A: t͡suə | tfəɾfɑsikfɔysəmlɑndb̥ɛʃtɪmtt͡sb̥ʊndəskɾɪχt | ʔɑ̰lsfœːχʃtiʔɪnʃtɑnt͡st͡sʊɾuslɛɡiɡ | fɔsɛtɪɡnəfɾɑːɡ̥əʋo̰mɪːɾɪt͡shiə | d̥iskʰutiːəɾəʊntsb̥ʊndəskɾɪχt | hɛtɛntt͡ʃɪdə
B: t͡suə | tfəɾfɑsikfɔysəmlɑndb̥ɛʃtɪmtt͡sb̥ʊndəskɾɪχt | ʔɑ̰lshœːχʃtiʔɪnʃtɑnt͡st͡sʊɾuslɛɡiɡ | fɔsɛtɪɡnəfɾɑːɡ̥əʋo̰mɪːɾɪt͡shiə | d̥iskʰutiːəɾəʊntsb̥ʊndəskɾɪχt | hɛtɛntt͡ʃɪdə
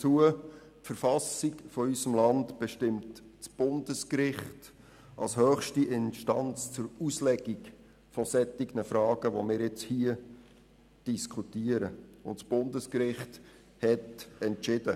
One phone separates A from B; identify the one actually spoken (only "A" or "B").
B